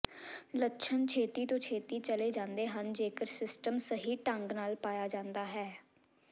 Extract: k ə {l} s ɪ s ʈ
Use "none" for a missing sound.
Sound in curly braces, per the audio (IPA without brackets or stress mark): ɾ